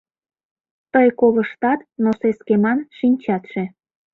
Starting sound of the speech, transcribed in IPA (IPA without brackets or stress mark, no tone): t̪